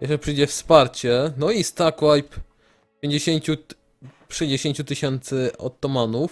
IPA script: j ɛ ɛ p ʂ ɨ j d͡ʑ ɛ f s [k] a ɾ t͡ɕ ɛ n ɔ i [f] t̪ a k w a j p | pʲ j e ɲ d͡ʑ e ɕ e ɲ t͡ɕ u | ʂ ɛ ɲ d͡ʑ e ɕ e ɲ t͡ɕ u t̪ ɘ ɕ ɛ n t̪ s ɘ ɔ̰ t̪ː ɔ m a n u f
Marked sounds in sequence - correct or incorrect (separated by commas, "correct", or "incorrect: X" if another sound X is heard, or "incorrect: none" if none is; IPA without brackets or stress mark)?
incorrect: p, incorrect: s